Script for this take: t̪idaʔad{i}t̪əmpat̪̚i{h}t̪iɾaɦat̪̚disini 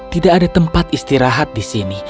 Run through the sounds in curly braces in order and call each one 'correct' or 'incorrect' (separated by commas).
incorrect, incorrect